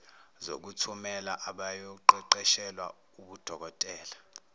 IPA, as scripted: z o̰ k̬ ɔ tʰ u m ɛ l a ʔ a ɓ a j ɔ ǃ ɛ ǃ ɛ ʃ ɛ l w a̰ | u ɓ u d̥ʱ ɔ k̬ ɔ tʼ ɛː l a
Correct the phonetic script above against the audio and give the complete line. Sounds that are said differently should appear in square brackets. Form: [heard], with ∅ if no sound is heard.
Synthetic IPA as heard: z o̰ k̬ [u] tʰ u m ɛ l a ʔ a ɓ a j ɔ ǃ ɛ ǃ ɛ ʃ ɛ l w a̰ | u ɓ u d̥ʱ ɔ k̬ ɔ tʼ ɛː l a